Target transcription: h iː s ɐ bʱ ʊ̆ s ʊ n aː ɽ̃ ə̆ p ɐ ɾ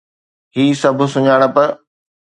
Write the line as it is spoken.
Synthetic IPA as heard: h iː s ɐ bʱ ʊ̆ s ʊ ɲ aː ɽ̃ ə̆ p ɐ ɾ